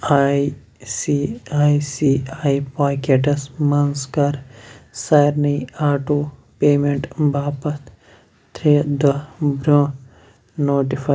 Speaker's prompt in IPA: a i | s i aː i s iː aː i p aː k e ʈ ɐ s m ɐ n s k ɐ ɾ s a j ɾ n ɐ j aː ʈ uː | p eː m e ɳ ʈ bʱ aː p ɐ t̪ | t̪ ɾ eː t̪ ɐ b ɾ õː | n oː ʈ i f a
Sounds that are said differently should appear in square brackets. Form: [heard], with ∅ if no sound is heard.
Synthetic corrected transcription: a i | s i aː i s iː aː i p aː k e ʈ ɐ s m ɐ n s k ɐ ɾ s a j ɾ n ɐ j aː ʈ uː | p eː m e ɳ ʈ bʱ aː p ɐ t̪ | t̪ ɾ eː [d̪] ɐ b ɾ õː | n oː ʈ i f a